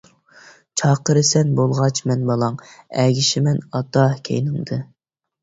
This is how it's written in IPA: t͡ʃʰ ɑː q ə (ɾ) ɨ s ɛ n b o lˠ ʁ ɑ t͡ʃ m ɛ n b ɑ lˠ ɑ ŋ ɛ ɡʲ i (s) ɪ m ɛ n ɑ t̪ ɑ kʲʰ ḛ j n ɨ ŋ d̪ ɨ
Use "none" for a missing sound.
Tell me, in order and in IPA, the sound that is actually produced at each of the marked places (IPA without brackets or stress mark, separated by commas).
ɾ, ʃ